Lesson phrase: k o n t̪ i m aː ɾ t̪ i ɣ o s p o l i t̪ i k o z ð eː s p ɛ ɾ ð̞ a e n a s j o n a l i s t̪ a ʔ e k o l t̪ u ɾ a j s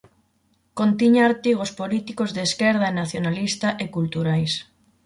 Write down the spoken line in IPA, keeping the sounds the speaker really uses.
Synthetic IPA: k o n t̪ i ɲ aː ɾ t̪ i ɣ o s p o l i t̪ i k o z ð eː s k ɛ ɾ ð̞ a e n a θ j o n a l i s t̪ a ʔ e k u l t̪ u ɾ a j s